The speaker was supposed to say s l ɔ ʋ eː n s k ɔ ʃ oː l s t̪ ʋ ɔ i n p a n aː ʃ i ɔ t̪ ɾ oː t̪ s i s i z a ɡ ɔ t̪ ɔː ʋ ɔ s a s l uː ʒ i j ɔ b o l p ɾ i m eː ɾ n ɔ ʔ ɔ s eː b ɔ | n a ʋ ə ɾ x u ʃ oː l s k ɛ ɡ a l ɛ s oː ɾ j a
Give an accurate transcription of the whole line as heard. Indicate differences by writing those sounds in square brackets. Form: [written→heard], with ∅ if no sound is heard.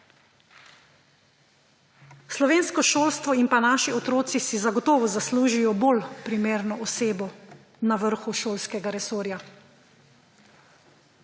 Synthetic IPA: s l ɔ ʋ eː n s k ɔ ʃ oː l s t̪ ʋ ɔ i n p a n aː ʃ i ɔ t̪ ɾ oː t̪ s i s i z a ɡ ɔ t̪ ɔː ʋ ɔ [s→z] a s l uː ʒ i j ɔ b o l p ɾ i m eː ɾ n ɔ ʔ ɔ s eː b ɔ | n a ʋ ə ɾ x u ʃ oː l s k ɛ ɡ a [l→ɾ] ɛ s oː ɾ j a